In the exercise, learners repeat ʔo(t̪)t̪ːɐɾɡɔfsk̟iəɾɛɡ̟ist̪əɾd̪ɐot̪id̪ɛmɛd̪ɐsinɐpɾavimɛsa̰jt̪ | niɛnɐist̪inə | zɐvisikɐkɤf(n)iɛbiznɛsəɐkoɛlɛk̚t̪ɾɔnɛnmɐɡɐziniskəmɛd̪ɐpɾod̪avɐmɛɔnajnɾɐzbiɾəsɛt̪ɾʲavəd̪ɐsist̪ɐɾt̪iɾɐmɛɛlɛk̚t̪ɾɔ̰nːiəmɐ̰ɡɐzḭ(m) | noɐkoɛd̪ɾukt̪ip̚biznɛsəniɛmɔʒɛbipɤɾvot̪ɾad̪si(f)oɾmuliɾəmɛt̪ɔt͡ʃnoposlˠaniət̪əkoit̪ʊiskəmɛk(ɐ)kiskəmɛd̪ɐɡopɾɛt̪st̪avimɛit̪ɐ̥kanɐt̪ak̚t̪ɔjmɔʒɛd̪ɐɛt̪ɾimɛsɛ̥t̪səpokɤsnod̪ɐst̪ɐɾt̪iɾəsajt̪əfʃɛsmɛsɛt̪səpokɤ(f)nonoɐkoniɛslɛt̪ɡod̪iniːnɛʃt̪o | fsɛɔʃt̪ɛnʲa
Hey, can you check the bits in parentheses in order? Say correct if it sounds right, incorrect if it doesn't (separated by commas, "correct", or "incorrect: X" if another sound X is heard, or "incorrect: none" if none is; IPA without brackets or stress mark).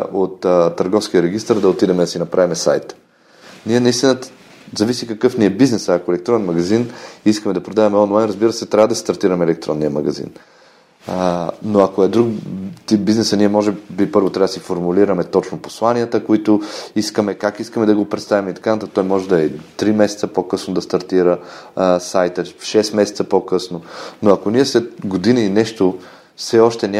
correct, correct, incorrect: n, correct, incorrect: a, incorrect: s